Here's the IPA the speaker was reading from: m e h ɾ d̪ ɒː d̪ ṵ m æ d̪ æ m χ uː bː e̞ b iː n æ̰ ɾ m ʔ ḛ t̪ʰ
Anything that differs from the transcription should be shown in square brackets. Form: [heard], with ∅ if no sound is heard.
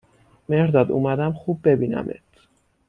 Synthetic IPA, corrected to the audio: m e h ɾ d̪ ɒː d̪ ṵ m æ d̪ æ m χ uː bː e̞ b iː n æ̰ [∅] m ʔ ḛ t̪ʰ